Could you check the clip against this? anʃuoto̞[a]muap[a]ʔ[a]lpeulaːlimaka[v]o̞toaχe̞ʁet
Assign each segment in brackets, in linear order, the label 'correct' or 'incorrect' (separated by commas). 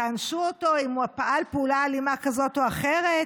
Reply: incorrect, correct, correct, incorrect